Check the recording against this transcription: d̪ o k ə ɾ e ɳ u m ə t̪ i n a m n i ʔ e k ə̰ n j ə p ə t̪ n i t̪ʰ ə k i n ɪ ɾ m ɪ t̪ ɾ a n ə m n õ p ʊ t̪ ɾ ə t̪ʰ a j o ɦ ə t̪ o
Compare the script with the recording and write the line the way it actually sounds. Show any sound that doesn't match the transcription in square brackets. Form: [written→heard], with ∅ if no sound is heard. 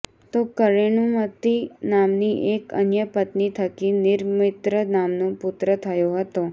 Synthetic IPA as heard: [d̪→t̪] o k ə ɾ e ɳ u m ə t̪ i n a m n i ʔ e k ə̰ n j ə p ə t̪ n i t̪ʰ ə k i n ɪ ɾ m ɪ t̪ ɾ [a→ə] n [ə→a] m n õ p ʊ t̪ ɾ ə t̪ʰ [a→ə] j o ɦ ə t̪ o